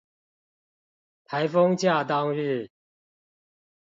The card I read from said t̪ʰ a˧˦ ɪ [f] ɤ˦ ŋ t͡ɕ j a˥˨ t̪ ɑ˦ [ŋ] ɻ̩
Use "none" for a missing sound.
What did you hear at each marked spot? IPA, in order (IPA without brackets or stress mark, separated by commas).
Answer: f, ŋ